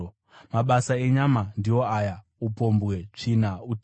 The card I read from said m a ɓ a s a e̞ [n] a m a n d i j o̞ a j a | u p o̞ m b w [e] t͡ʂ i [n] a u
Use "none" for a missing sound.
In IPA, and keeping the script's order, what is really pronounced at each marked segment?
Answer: ɲ, e, n

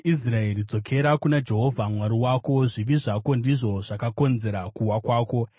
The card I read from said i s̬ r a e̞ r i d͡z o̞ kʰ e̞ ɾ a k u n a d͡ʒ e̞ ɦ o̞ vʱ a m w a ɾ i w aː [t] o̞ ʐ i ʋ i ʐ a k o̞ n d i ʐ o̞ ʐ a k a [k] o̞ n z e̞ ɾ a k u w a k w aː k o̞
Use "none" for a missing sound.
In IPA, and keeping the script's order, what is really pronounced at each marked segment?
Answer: k, k

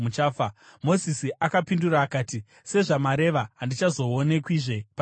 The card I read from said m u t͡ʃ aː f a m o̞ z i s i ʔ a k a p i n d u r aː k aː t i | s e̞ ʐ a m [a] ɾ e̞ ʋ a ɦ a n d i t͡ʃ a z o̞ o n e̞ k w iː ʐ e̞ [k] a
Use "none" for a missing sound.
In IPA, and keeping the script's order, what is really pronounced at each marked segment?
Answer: a, p

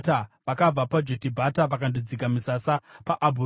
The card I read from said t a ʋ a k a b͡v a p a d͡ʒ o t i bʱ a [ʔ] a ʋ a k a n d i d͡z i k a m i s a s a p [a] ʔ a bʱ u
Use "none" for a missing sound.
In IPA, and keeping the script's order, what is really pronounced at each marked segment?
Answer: t, a

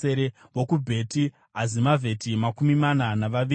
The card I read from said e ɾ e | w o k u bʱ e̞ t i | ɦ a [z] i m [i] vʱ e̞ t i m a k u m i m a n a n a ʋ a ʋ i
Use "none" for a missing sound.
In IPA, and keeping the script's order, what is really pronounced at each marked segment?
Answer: z, a

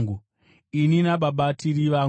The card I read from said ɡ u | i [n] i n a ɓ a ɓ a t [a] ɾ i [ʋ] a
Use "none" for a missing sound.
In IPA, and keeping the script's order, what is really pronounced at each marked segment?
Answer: n, i, ʋ

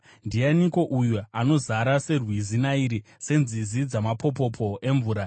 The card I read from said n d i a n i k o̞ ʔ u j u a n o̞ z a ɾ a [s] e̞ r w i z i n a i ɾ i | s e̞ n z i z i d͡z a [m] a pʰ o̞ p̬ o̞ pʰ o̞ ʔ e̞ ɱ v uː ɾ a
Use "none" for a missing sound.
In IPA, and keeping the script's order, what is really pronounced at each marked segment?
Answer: s, m

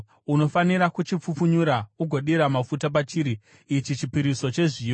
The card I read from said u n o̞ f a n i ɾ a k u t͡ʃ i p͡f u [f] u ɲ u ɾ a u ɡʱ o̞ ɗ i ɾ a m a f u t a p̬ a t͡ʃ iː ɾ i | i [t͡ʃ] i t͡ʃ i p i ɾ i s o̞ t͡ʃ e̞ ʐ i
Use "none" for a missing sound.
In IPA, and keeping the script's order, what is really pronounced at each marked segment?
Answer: f, t͡ʃ

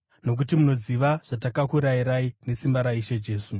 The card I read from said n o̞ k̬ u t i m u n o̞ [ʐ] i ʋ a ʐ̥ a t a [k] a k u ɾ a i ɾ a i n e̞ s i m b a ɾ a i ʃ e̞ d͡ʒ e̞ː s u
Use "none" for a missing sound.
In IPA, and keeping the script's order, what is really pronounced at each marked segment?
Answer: z, k

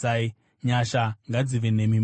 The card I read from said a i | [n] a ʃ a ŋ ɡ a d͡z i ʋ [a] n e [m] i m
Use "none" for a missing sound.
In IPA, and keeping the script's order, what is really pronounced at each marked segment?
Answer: ɲ, e, m

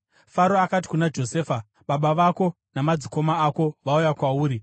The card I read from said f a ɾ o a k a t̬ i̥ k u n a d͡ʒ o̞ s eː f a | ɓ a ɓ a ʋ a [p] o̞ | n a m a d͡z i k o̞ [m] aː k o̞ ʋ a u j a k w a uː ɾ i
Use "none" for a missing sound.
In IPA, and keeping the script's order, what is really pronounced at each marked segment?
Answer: k, m

